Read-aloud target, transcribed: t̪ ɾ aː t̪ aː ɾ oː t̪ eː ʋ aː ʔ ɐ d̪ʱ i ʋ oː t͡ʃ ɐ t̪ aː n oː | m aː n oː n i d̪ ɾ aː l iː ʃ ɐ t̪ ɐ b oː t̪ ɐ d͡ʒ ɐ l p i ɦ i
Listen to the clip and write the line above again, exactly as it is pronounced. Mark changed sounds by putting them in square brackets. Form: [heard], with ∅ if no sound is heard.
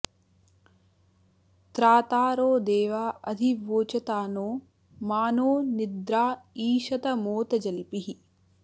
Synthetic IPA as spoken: t̪ ɾ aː t̪ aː ɾ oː [d̪] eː ʋ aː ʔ ɐ d̪ʱ i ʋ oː t͡ʃ ɐ t̪ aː n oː | m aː n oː n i d̪ ɾ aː [∅] iː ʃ ɐ t̪ ɐ [m] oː t̪ ɐ d͡ʒ ɐ l p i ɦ i